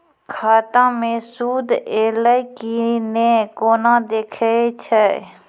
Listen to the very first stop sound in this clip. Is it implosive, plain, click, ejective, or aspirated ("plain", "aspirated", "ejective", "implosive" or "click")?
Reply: aspirated